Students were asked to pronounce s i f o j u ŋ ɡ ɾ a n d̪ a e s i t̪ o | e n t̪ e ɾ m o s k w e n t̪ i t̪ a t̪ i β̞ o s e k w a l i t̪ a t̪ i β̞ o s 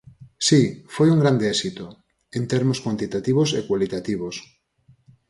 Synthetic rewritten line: s i f o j u ŋ ɡ ɾ a n d̪ e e s i t̪ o | e n t̪ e ɾ m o s k w a n t̪ i t̪ a t̪ i β̞ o s e k w a l i t̪ a t̪ i β̞ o s